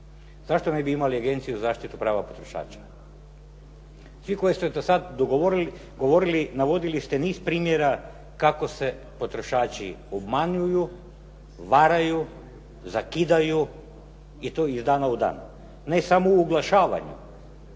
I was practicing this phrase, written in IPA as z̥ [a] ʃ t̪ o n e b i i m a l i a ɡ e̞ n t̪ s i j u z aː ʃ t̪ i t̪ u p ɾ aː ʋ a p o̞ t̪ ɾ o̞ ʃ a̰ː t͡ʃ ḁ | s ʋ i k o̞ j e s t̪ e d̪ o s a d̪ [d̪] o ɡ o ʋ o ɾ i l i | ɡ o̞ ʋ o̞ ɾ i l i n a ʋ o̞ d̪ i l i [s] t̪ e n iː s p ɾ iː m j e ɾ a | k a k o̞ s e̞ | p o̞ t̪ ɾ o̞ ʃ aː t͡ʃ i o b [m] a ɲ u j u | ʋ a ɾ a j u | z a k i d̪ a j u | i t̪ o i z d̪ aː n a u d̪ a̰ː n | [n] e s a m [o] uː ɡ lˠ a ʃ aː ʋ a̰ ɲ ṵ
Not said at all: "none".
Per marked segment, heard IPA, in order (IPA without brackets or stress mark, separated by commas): a, d̪, s, m, n, o